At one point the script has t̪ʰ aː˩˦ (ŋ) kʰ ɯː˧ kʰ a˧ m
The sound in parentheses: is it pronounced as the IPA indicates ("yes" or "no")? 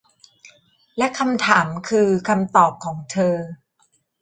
no